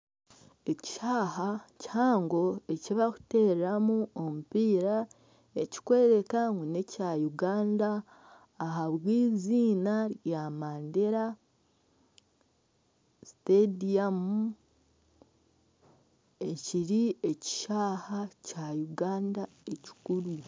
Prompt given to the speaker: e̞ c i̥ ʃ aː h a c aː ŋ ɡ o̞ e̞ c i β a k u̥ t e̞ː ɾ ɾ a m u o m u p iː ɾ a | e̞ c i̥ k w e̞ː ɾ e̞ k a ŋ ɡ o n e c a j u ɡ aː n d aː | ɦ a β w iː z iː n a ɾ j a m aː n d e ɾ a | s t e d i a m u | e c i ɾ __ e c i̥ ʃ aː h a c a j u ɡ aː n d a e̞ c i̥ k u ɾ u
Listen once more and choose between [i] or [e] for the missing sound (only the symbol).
i